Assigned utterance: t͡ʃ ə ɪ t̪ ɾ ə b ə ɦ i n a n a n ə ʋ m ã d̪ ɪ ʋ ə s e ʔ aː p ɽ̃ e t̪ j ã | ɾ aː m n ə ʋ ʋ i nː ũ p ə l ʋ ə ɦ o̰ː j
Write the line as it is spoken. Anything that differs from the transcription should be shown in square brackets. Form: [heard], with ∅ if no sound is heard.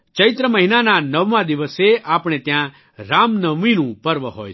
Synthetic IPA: t͡ʃ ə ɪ t̪ ɾ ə [m] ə ɦ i n a n a n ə ʋ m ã d̪ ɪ ʋ ə s e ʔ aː p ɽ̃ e t̪ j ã | ɾ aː m n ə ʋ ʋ i [n] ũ p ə [ɾ] ʋ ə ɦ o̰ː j